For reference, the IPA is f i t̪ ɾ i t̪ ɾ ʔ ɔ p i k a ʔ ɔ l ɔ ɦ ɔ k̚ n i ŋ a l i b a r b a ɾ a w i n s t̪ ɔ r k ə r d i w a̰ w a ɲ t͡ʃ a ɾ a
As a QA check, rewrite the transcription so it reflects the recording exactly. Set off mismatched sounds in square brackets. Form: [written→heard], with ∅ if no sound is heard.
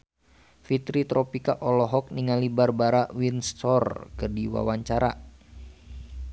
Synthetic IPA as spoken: f i t̪ ɾ i t̪ ɾ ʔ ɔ p i k a ʔ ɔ l ɔ ɦ ɔ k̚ n i ŋ a l i b a r b a ɾ a w i n s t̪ ɔ r k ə r d i w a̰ w a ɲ t͡ʃ a ɾ a